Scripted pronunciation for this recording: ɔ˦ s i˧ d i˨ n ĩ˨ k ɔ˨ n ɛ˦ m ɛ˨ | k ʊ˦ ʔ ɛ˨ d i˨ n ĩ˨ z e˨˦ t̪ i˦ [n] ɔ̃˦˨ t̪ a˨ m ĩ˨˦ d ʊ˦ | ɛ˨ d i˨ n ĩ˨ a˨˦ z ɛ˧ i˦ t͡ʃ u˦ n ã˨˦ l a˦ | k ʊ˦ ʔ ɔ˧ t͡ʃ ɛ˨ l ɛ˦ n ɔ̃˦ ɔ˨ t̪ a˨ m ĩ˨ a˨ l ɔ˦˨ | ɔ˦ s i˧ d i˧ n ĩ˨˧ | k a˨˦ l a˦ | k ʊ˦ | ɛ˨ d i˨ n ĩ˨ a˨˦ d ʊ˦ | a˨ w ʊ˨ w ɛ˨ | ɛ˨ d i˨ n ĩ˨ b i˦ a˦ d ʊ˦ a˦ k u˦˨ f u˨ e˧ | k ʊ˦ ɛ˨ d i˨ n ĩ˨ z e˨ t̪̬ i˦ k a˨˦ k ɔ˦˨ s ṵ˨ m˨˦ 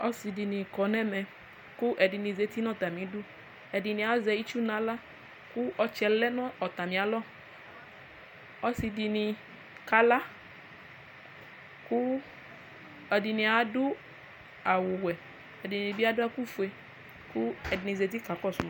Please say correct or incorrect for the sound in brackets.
correct